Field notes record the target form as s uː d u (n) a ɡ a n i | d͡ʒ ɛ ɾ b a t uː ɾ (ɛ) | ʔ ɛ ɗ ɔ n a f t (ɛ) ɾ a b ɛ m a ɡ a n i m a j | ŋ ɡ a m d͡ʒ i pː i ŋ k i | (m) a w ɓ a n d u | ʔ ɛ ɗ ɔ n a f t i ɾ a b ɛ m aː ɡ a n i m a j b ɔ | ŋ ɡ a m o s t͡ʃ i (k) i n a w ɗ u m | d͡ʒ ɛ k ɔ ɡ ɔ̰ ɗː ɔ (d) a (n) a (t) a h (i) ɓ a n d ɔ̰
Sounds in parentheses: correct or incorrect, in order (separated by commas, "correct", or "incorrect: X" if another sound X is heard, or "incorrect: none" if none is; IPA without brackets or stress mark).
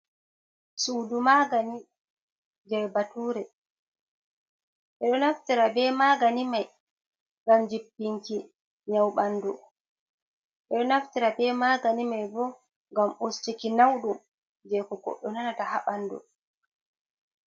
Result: incorrect: m, correct, incorrect: i, incorrect: ɲ, correct, incorrect: n, correct, correct, incorrect: a